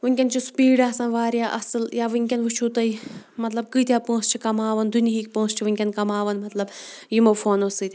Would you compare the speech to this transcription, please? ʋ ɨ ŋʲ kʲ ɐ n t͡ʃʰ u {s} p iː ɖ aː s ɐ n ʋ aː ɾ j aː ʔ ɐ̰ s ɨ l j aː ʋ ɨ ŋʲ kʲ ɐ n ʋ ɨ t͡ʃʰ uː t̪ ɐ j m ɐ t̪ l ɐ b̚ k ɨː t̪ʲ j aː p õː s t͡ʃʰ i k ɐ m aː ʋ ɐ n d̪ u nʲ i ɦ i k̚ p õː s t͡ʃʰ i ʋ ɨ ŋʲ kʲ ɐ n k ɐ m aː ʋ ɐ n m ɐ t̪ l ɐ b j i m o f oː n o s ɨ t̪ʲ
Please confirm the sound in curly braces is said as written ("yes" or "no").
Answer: yes